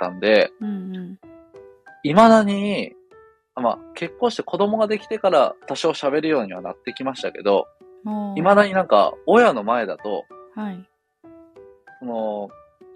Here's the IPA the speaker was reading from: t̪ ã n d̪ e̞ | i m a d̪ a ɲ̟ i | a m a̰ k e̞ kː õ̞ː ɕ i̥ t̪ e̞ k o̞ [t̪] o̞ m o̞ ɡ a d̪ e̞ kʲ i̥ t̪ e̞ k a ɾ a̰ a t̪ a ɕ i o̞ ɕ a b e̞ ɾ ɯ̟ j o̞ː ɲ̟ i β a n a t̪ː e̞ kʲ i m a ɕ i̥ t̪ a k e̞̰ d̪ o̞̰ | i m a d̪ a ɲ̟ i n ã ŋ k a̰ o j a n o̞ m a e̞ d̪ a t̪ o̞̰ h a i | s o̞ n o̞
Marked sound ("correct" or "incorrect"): incorrect